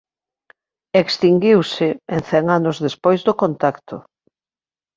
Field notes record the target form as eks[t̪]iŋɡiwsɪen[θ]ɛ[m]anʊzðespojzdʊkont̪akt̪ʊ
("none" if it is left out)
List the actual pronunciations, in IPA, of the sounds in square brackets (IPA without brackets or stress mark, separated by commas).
t̪, θ, ŋ